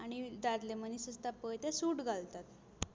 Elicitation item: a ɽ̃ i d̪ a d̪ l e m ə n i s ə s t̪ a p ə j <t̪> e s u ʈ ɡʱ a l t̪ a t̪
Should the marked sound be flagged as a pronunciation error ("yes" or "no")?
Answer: no